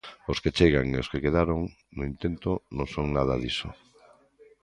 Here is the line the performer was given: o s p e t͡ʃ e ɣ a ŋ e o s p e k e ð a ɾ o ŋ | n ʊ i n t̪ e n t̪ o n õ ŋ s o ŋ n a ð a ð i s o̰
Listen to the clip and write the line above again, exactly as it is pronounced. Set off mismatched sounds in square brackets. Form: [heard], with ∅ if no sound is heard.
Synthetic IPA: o s [k] e t͡ʃ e ɣ a ŋ e o s [k] e k e ð a ɾ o ŋ | n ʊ i n t̪ e n t̪ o n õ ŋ s o ŋ n a ð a ð i s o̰

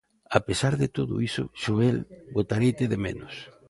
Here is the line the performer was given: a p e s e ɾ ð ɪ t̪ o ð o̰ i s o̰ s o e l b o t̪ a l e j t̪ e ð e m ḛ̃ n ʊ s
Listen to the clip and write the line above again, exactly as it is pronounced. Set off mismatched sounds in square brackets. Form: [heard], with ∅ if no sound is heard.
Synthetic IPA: a p e s [a] ɾ ð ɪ t̪ o ð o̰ i s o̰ [ʃ] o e l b o t̪ a [ɾ] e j t̪ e ð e m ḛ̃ n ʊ s

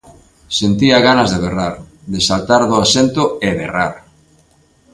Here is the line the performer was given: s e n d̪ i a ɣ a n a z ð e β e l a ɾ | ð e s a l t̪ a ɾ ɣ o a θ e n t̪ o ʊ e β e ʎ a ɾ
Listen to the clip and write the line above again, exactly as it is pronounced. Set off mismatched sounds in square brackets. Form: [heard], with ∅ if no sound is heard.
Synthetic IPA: s e n [t̪] i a ɣ a n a z ð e β e [r] a ɾ | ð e s a l t̪ a ɾ [ð] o a [s] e n t̪ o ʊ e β e [r] a ɾ

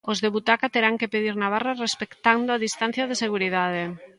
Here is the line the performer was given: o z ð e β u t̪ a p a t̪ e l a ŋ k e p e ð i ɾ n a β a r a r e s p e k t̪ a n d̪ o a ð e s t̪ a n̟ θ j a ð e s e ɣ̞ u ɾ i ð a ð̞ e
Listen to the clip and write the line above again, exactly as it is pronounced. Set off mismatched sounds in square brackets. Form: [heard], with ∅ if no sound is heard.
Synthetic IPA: o z ð e β u t̪ a [k] a t̪ e [ɾ] a ŋ k e p e ð i ɾ n a β a r a r e s p e k t̪ a n d̪ o a ð [i] s t̪ a n̟ θ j a ð e s e ɣ̞ u ɾ i ð a ð̞ e

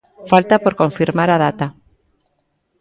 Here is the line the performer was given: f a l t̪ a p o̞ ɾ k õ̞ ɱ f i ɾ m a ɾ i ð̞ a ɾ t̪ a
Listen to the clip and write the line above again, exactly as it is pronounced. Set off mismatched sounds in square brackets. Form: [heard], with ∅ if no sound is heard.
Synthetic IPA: f a l t̪ a p o̞ ɾ k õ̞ ɱ f i ɾ m a ɾ [a] ð̞ a [∅] t̪ a

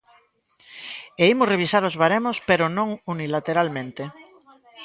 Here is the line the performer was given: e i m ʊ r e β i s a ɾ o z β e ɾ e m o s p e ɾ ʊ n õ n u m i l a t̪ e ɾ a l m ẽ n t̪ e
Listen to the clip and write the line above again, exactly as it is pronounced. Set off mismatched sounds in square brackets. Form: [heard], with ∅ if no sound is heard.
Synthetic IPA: e i m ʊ r e β i s a ɾ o z β [a] ɾ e m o s p e ɾ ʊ n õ [ŋ] u [n] i l a t̪ e ɾ a l m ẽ n t̪ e

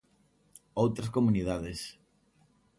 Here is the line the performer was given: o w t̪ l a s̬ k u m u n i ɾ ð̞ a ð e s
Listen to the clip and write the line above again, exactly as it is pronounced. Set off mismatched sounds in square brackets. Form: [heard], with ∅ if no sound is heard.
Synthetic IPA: o w t̪ [ɾ] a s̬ k [o] m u n i [∅] ð̞ a ð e s

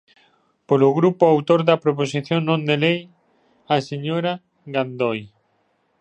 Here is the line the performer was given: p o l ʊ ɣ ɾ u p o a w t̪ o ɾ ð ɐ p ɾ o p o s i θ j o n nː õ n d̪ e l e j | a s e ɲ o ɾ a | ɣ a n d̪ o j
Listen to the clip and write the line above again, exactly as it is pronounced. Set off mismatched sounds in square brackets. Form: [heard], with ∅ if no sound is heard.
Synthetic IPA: p o l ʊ ɣ ɾ u p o a w t̪ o ɾ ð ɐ p ɾ o p o s i θ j o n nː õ n d̪ e l e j | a s e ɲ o ɾ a | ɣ a n d̪ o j

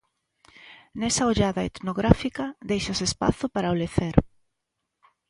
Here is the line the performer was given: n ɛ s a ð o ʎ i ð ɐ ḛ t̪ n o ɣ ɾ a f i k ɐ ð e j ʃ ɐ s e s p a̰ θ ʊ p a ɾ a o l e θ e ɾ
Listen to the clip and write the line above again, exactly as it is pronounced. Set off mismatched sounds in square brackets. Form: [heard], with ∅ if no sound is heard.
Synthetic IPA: n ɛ s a [∅] o ʎ [a] ð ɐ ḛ t̪ n o ɣ ɾ a f i k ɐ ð e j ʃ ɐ s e s p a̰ θ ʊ p a ɾ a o l e θ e ɾ

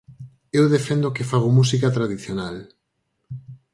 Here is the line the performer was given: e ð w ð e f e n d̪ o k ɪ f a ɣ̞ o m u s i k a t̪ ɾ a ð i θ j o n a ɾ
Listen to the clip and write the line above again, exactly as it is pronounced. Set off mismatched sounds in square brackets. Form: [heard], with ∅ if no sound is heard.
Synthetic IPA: e [∅] w ð e f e n d̪ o k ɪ f a ɣ̞ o m u s i k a t̪ ɾ a ð i θ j o n a [l]

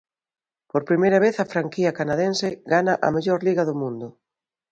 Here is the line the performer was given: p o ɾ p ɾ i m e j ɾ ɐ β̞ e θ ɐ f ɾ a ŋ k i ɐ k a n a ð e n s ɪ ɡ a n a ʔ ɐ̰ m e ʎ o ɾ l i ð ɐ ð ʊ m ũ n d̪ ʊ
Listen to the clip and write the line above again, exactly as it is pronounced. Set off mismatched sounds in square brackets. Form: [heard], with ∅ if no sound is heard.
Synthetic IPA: p o ɾ p ɾ i m e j ɾ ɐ β̞ e θ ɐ f ɾ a ŋ k i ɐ k a n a ð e n s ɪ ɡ a n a ʔ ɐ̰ m e ʎ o ɾ l i [ɣ] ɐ ð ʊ m ũ n d̪ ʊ

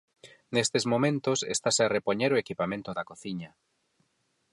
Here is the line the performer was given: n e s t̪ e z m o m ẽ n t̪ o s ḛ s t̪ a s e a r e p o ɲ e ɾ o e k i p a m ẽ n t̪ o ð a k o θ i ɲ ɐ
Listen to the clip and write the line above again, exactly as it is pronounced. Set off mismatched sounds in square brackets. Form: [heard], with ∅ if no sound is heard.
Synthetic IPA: n e s t̪ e z m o m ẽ n t̪ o s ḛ s t̪ a s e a r e p o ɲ e ɾ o e k i p a m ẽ n t̪ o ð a k o θ i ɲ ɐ

